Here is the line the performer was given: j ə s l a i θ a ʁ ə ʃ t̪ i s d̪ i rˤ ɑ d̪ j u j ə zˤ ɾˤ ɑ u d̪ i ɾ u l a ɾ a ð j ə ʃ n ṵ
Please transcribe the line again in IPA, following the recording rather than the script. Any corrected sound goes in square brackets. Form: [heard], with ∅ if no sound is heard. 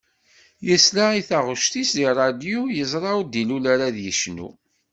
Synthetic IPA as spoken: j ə s l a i θ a ʁ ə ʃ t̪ i s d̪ i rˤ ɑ d̪ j u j ə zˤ ɾˤ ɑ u d̪ i [l] u l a ɾ a ð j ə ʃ n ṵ